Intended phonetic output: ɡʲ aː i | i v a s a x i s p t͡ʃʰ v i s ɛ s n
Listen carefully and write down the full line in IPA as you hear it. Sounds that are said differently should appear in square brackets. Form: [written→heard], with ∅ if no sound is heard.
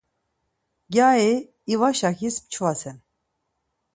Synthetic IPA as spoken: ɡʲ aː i | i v a [s→ʃ] a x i s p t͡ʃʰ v [i→a] s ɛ [s→∅] n